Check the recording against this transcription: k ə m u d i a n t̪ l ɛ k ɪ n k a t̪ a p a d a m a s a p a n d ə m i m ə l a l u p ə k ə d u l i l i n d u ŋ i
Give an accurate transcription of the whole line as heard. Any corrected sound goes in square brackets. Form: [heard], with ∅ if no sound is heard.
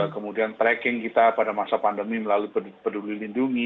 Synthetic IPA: k ə m u d i a n t̪ [ɾ] ɛ k ɪ [ŋ] k [i] t̪ a p a d a m a s a p a n d ə m i m ə l a l u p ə [p] ə d u l i l i n d u ŋ i